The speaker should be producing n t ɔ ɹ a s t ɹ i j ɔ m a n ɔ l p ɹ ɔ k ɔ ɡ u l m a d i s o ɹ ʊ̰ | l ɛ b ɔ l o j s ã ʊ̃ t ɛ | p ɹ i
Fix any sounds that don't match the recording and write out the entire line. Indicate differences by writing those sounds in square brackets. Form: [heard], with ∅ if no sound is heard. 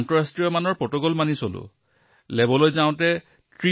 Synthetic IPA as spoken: n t ɔ ɹ a s t ɹ i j ɔ m a n ɔ [ɹ] p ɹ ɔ [t] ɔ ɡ [ɔ] l m a [n] i s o [l] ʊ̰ | l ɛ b ɔ l o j [z] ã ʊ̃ t ɛ | [t] ɹ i